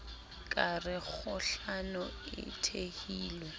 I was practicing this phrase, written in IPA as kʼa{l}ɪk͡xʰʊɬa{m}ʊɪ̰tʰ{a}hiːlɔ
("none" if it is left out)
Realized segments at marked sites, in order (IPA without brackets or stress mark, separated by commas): r, n, e